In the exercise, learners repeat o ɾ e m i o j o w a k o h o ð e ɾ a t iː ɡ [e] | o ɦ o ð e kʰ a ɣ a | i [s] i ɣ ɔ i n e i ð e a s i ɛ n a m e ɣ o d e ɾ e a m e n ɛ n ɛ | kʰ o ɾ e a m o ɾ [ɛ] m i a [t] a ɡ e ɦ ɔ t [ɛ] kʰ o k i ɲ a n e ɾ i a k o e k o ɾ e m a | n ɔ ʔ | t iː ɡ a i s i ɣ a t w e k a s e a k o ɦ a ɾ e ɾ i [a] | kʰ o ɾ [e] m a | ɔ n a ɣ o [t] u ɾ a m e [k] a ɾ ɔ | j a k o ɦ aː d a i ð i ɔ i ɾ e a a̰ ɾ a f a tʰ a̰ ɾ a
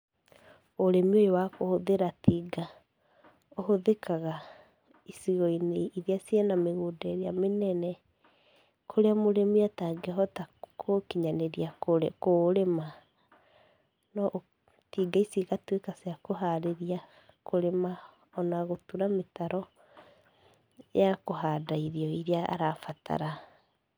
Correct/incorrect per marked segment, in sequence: incorrect: a, correct, incorrect: e, correct, incorrect: a, correct, correct, correct, incorrect: t

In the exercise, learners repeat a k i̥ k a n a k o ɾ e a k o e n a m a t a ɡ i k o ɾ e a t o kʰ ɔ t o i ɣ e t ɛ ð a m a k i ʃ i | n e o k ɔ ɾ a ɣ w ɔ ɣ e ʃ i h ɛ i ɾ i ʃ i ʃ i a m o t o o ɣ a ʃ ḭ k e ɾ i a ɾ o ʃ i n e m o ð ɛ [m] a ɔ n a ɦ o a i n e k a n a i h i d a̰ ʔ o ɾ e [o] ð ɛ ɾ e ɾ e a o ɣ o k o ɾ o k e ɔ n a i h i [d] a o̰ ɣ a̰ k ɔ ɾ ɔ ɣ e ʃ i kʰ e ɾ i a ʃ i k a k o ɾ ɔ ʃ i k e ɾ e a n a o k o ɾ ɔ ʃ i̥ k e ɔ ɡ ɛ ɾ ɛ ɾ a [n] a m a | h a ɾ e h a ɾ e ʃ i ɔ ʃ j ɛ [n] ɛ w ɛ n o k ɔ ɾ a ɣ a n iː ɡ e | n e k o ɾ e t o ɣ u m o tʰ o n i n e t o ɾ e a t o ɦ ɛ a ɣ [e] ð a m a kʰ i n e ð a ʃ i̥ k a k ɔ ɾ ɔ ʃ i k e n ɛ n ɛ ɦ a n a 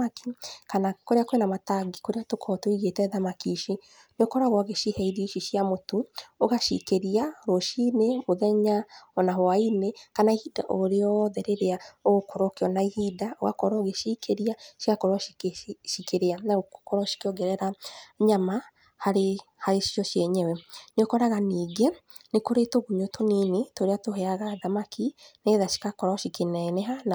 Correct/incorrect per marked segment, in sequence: incorrect: ɲ, incorrect: ɔ, correct, incorrect: ɲ, incorrect: ɲ, incorrect: a

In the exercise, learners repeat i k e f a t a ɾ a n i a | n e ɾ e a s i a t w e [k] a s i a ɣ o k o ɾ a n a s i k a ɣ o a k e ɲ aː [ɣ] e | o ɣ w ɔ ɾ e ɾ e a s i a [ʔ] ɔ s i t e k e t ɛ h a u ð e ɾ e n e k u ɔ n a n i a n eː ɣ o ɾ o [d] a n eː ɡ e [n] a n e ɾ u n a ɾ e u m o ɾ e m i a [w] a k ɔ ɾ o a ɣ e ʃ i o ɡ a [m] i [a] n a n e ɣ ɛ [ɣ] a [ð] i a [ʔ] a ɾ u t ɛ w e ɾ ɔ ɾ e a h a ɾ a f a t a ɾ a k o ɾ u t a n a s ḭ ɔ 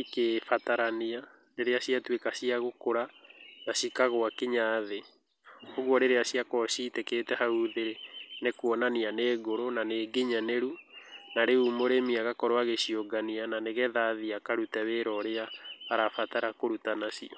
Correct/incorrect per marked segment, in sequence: correct, incorrect: ð, incorrect: k, incorrect: n, incorrect: ɲ, incorrect: ɣ, incorrect: n, correct, incorrect: ð, correct, incorrect: k

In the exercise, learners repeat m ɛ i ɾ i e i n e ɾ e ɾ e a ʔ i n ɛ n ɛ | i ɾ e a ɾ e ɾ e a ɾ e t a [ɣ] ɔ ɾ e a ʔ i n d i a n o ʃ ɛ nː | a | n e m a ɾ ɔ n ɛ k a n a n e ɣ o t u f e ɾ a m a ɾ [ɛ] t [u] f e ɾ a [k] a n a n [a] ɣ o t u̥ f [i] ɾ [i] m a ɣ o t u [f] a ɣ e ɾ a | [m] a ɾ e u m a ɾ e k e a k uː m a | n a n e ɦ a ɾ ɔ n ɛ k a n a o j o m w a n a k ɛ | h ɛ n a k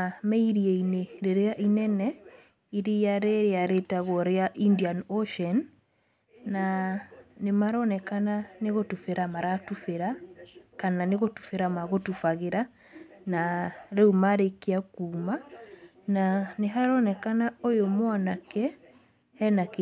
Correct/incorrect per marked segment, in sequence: correct, incorrect: a, correct, correct, incorrect: e, incorrect: e, incorrect: a, correct, incorrect: n

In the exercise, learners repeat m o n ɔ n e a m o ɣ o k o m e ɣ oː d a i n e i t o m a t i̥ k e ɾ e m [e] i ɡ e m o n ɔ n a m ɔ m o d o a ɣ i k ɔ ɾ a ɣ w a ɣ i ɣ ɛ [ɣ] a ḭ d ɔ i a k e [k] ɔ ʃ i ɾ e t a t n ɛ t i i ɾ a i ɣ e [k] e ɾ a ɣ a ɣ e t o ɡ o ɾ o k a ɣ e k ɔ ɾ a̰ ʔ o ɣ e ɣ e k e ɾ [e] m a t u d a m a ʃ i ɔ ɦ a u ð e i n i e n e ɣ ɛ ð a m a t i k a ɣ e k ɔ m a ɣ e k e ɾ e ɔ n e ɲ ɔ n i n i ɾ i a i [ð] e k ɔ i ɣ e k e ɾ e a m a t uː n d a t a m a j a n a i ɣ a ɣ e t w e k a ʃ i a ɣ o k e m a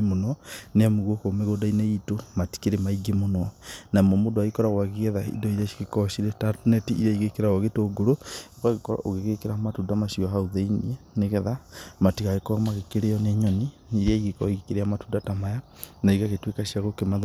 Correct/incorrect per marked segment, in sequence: incorrect: a, incorrect: ð, correct, correct, incorrect: a, incorrect: ɣ

